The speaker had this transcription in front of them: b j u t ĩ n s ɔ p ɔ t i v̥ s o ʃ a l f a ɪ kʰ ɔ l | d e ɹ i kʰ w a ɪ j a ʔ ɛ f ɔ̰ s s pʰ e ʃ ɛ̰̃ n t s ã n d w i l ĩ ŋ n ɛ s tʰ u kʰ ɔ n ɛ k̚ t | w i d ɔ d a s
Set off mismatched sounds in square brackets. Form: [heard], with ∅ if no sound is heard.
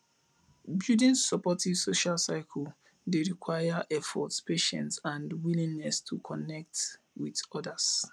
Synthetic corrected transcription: b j u [d] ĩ n s ɔ p ɔ t i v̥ s o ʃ a l [s] a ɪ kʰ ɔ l | d e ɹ i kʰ w a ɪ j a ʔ ɛ f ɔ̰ [t] s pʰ e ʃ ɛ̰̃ n t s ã n d w i l ĩ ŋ n ɛ s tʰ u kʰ ɔ n ɛ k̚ t | w i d ɔ d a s

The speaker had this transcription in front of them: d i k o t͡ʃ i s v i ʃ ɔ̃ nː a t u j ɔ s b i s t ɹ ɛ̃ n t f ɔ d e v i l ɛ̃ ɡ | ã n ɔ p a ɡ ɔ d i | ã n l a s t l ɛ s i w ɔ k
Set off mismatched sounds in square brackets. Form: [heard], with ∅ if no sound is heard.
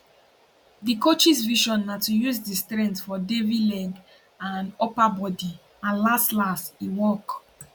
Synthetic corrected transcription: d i k o t͡ʃ i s v i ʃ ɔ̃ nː a t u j [u] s [d] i s t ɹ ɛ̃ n t f ɔ d e v i l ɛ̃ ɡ | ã n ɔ p a [b] ɔ d i | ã n l a s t l [a] s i w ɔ k

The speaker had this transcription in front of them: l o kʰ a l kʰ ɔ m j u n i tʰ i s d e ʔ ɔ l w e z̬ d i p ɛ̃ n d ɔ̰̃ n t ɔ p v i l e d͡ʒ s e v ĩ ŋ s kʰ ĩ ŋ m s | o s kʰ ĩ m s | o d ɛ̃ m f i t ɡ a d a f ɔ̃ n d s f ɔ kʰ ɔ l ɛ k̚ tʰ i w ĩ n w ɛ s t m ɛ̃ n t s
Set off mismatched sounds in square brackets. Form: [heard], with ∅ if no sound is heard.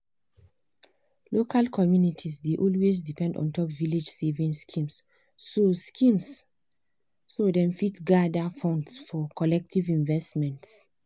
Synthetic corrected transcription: l o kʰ a l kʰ ɔ m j u n i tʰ i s d e ʔ ɔ l w e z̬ d i p ɛ̃ n d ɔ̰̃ n t ɔ p v i l e d͡ʒ s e v ĩ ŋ s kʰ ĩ [∅] m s | o s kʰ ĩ m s | o d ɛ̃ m f i t ɡ a d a f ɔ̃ n d s f ɔ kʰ ɔ l ɛ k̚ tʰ i [v] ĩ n [v] ɛ s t m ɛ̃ n t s

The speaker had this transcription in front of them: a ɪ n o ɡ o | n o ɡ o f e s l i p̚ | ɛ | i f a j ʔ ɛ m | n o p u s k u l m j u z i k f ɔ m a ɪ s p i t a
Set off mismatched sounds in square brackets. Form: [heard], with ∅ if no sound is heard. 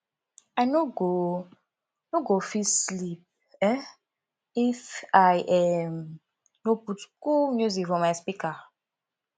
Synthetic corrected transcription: a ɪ n o ɡ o | n o ɡ o f [i] s l i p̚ | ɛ | i f a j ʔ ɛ m | n o p u [t] k u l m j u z i k f ɔ m a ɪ s p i [k] a

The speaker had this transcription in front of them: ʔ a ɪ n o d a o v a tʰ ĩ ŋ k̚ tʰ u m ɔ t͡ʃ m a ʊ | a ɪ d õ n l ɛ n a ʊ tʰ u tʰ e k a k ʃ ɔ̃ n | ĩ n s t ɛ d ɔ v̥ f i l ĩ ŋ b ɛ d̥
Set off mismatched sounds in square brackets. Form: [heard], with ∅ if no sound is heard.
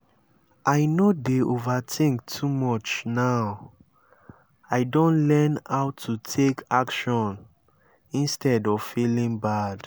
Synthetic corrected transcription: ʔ a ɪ n o d [e] o v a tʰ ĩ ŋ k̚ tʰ u m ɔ t͡ʃ [n] a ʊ | a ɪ d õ n l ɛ n a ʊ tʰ u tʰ e k a k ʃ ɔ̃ n | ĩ n s t ɛ d ɔ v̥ f i l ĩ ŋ b [a] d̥

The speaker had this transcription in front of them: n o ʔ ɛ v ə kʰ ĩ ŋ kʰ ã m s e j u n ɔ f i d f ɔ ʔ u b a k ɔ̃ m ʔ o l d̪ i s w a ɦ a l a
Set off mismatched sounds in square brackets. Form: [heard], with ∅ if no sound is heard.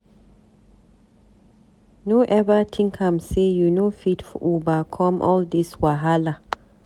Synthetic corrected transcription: n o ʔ ɛ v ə [tʰ] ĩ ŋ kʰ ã m s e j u n [o] f i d f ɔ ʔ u b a [kʰ] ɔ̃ m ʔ [ɔ] l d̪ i s w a ɦ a l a

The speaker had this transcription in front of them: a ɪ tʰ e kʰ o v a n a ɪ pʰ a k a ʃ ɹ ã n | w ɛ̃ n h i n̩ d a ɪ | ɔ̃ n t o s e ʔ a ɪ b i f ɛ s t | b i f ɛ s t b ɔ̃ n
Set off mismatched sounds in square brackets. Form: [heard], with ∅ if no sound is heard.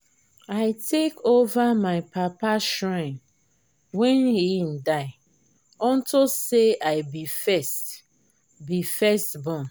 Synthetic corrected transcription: a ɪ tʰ e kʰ o v a [m] a ɪ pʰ a [p] a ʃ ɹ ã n | w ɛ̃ n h i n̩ d a ɪ | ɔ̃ n t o s e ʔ a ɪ b i f ɛ s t | b i f ɛ s t b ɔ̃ n

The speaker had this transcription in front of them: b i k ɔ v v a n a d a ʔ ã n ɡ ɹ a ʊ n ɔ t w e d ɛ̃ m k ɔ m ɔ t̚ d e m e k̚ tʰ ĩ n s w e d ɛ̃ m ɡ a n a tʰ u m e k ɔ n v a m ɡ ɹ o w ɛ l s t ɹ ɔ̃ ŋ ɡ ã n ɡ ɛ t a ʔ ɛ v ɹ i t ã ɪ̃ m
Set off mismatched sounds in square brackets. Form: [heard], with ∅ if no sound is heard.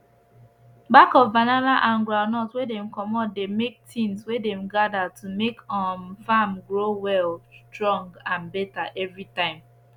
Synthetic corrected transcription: b [a] k ɔ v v a n a [n] a ʔ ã n ɡ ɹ a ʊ n ɔ t w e d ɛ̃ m k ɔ m ɔ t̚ d e m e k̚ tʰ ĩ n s w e d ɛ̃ m ɡ a [d] a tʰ u m e k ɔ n [f] a m ɡ ɹ o w ɛ l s t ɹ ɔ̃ ŋ ɡ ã n [b] ɛ t a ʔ ɛ v ɹ i t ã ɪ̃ m

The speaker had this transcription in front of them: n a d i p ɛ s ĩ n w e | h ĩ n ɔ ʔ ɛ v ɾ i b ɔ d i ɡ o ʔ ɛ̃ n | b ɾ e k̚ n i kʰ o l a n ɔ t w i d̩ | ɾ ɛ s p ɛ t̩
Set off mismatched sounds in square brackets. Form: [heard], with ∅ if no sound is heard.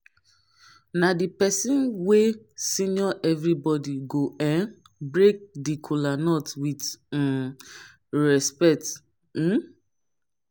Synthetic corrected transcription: n a d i p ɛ s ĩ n w e | [s] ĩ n ɔ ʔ ɛ v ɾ i b ɔ d i ɡ o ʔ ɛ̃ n | b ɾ e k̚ [d] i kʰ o l a n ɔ t w i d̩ | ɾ ɛ s p ɛ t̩

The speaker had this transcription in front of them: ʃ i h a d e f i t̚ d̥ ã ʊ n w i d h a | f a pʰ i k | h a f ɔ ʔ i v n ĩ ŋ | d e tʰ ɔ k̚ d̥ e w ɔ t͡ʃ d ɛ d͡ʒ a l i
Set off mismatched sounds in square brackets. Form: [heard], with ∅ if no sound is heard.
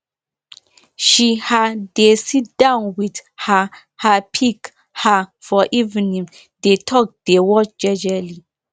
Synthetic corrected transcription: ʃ i h a d e [s] i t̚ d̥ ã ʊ n w i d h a | [h] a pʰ i k | h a f ɔ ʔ i v n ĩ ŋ | d e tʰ ɔ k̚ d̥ e w ɔ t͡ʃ [d͡ʒ] ɛ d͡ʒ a l i

